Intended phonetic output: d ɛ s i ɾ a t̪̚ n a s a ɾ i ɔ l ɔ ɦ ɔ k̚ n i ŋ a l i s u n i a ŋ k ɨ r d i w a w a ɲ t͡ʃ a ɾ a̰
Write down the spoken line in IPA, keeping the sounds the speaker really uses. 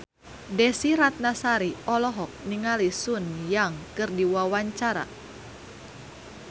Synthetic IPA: d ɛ s i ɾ a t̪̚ n a s a ɾ i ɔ l ɔ ɦ ɔ k̚ n i ŋ a l i s u n j a ŋ k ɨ r d i w a w a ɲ t͡ʃ a ɾ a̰